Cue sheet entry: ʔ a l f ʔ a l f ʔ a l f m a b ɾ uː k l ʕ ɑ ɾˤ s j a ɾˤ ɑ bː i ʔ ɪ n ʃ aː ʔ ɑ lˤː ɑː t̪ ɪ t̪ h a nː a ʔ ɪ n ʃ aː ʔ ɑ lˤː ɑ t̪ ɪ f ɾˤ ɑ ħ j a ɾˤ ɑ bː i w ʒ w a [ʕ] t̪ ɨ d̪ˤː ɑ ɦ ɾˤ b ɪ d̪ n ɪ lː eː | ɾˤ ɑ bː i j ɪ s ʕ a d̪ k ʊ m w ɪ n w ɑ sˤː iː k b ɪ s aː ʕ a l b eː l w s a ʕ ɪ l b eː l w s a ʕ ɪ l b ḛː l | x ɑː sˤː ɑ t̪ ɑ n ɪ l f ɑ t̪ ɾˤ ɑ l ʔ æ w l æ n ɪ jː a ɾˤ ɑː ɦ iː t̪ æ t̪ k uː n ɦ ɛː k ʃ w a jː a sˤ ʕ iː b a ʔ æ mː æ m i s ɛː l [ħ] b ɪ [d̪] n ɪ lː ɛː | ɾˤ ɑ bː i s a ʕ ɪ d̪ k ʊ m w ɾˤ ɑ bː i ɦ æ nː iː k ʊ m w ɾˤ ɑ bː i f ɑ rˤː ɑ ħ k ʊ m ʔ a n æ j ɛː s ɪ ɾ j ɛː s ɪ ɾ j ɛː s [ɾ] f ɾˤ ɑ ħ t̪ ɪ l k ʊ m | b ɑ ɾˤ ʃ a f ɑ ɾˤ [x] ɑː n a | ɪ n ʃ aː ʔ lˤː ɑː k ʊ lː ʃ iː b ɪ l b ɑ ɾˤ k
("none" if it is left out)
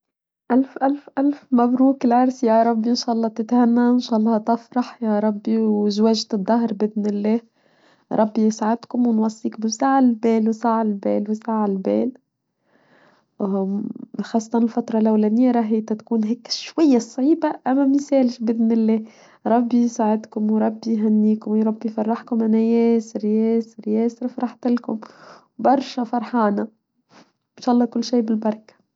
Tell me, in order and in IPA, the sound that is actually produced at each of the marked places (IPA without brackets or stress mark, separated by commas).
ʒ, ʃ, d̪, ɾ, ħ